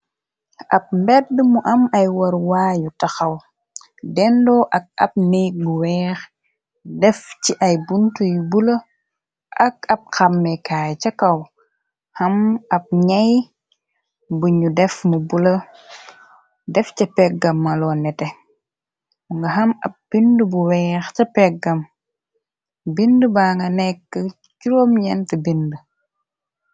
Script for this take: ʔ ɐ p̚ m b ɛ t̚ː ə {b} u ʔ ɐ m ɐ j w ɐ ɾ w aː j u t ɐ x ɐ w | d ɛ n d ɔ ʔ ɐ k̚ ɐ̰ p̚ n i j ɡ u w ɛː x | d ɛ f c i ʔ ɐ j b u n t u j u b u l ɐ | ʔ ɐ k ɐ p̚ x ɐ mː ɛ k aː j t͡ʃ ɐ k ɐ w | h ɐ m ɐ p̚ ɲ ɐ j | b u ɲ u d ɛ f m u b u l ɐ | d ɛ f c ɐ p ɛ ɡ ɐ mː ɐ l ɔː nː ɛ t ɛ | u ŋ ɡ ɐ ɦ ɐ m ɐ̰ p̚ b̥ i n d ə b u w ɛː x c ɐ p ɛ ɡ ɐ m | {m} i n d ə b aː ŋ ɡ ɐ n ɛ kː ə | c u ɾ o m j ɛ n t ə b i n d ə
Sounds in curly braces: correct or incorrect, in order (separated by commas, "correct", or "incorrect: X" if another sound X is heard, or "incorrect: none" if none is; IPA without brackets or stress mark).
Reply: incorrect: m, incorrect: b